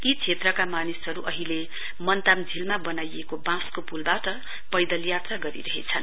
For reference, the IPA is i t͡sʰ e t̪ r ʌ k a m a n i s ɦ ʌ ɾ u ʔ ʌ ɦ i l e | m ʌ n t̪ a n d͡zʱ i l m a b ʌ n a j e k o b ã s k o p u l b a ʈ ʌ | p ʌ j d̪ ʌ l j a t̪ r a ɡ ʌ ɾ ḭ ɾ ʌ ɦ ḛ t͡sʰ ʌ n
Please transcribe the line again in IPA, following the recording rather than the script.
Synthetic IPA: i t͡sʰ e t̪ r ʌ k a m a n i s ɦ ʌ ɾ u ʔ ʌ ɦ i l e | m ʌ n t̪ a m d͡zʱ i l m a b ʌ n a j e k o b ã s k o p u l b a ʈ ʌ | p ʌ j d̪ ʌ l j a t̪ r a ɡ ʌ ɾ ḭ ɾ ʌ ɦ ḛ t͡sʰ ʌ n